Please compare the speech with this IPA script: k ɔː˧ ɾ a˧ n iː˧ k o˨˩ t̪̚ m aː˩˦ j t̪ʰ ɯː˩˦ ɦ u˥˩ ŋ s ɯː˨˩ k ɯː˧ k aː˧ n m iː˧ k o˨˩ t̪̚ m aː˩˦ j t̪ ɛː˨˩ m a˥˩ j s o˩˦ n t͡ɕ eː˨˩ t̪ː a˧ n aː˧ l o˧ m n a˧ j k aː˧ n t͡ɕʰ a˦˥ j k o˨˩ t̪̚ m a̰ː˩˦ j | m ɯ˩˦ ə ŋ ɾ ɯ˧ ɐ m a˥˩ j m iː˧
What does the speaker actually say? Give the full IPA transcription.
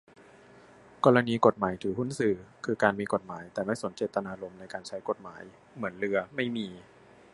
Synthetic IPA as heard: k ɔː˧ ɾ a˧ n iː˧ k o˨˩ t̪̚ m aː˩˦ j t̪ʰ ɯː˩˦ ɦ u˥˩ n s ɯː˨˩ kʰ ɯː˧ k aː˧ n m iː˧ k o˨˩ t̪̚ m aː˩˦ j t̪ ɛː˨˩ m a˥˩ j s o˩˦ n t͡ɕ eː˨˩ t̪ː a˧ n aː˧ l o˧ m n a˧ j k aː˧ n t͡ɕʰ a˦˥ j k o˨˩ t̪̚ m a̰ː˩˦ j | m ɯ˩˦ ə n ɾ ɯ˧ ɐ m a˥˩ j m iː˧

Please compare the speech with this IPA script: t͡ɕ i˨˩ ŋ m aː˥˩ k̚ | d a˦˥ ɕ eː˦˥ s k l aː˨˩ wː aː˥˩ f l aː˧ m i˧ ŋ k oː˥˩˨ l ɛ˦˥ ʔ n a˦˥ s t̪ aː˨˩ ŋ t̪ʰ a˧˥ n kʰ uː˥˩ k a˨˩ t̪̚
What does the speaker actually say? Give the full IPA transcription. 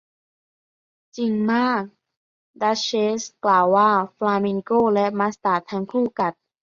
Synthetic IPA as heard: t͡ɕ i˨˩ ŋ m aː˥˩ k̚ | d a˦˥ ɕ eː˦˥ s k l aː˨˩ wː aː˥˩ f l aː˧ m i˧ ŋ k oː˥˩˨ l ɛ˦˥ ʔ m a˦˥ s t̪ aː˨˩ t̪ʰ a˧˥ ŋ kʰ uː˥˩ k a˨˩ t̪̚

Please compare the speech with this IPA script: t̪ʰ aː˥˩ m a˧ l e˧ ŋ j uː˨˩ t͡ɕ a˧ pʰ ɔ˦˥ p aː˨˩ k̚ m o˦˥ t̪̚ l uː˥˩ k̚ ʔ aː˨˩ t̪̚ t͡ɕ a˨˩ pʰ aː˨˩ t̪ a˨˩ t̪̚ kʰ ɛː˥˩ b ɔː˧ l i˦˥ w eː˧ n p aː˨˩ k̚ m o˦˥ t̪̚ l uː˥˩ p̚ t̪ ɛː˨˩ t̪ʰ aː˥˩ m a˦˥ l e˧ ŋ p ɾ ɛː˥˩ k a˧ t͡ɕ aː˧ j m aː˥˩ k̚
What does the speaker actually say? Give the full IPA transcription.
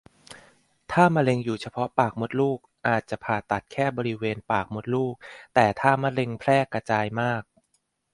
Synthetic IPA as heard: t̪ʰ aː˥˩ m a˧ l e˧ ŋ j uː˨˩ t͡ɕʰ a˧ pʰ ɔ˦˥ p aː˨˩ k̚ m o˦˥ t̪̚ l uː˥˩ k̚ ʔ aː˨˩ t̪̚ t͡ɕ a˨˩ pʰ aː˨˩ t̪ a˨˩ t̪̚ kʰ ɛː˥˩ b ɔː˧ ɾ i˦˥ w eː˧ n p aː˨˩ k̚ m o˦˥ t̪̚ l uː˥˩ k̚ t̪ ɛː˨˩ t̪ʰ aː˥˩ m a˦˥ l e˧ ŋ pʰ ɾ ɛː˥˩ k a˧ t͡ɕ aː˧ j m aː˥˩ k̚

